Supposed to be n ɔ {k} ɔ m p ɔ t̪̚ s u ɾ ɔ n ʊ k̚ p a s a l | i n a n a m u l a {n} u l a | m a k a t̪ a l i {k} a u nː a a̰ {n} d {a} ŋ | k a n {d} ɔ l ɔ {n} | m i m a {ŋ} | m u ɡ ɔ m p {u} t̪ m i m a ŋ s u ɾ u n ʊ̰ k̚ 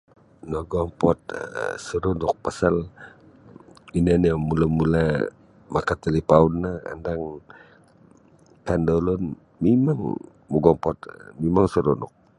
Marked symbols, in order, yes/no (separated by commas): no, no, no, yes, yes, yes, yes, yes, no